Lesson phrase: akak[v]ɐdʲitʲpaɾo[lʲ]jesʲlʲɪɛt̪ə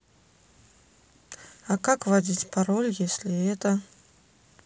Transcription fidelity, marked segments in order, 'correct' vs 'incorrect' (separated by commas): correct, correct